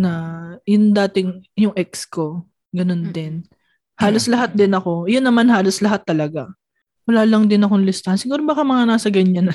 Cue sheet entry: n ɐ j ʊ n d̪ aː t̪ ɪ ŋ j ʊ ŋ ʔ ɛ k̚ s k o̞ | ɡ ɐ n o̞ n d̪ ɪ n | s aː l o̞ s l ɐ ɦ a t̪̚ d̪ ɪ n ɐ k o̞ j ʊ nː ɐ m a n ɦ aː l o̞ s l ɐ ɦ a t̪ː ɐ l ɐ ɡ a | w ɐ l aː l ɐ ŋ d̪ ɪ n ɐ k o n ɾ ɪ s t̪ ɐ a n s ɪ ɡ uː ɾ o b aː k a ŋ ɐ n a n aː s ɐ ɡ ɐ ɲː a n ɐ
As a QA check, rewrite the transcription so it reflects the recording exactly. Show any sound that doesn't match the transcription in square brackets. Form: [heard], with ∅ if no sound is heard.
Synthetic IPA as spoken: n ɐ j ʊ n d̪ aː t̪ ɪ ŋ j ʊ ŋ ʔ ɛ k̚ s k o̞ | ɡ ɐ n o̞ n d̪ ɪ n | [h] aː l o̞ s l ɐ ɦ a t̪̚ d̪ ɪ n ɐ k o̞ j ʊ nː ɐ m a n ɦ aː l o̞ s l ɐ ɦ a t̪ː ɐ l ɐ ɡ a | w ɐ l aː l ɐ ŋ d̪ ɪ n ɐ k o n [l] ɪ s t̪ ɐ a n s ɪ ɡ uː ɾ o b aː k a [m] ɐ [ŋ] a n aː s ɐ ɡ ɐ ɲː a n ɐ